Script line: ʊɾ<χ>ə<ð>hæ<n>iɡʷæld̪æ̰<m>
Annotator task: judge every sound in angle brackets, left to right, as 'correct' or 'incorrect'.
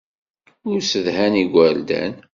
incorrect: s, correct, correct, incorrect: n

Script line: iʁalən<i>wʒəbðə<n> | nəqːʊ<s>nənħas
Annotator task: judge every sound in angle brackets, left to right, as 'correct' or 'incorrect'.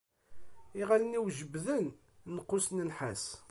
correct, correct, correct

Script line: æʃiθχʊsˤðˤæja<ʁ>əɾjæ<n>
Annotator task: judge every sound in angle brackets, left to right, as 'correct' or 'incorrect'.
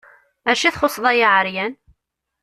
incorrect: ʕ, correct

